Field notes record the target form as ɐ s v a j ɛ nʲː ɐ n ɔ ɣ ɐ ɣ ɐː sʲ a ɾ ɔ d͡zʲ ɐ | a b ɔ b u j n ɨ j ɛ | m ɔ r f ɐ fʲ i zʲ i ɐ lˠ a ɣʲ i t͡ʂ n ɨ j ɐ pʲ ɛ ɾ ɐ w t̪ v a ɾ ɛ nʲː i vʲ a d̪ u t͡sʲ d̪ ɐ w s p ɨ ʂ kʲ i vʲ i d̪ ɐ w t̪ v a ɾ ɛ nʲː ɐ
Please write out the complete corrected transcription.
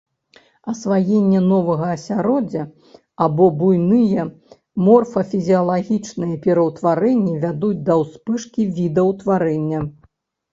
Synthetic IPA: ɐ s v a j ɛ nʲː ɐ n ɔ v ɐ ɣ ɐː sʲ a ɾ ɔ d͡zʲ ɐ | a b ɔ b u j n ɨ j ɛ | m ɔ r f ɐ fʲ i zʲ i ɐ lˠ a ɣʲ i t͡ʂ n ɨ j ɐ pʲ ɛ ɾ ɐ w t̪ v a ɾ ɛ nʲː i vʲ a d̪ u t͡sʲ d̪ ɐ w s p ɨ ʂ kʲ i vʲ i d̪ ɐ w t̪ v a ɾ ɛ nʲː ɐ